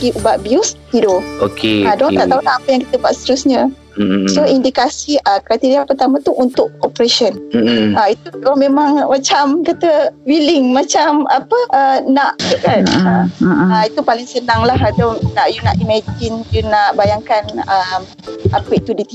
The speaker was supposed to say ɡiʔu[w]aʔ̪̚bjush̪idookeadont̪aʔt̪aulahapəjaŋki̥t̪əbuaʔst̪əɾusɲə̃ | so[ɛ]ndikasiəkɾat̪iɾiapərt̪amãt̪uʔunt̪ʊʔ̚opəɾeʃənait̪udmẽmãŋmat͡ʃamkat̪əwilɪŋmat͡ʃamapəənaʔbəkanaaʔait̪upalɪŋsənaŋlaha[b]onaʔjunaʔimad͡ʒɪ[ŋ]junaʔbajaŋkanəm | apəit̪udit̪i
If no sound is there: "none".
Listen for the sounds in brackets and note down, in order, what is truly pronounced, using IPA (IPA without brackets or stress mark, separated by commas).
b, i, d, n